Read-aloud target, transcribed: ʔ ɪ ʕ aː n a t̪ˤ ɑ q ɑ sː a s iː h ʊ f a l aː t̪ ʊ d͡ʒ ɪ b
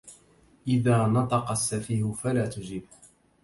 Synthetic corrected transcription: ʔ ɪ ð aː n ɑ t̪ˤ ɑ q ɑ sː a f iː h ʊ f a l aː t̪ ʊ d͡ʒ ɪ b